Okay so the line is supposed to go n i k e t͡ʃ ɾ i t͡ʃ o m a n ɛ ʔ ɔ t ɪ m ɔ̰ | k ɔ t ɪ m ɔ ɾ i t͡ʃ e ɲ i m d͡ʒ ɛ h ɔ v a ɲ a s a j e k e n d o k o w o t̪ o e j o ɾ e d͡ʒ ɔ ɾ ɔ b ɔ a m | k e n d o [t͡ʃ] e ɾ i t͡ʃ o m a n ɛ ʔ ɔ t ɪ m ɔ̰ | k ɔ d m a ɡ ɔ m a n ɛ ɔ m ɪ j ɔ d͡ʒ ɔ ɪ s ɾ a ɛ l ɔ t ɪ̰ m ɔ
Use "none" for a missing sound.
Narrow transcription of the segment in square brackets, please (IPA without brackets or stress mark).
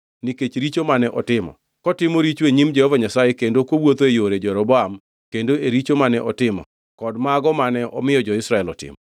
none